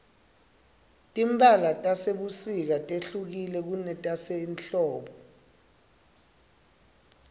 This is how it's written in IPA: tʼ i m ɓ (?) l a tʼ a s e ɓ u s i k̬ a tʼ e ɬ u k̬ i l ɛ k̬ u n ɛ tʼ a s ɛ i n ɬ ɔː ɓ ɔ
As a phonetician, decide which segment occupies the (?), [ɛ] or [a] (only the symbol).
a